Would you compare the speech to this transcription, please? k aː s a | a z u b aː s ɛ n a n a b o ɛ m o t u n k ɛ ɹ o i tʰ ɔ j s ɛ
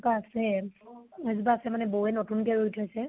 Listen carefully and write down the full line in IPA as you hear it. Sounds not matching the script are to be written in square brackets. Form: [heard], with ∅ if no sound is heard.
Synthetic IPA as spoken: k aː s [ɛ] | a z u b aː s ɛ [m] a n [ɛ] b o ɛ [n] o t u n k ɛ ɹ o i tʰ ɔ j s ɛ